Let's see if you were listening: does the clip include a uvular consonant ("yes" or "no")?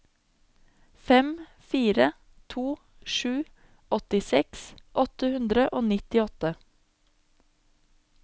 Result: no